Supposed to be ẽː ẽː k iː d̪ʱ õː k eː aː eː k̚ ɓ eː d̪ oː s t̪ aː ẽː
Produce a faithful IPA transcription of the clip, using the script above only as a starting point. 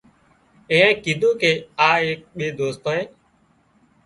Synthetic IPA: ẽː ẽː k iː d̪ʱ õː k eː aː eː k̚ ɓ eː d̪ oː s t̪ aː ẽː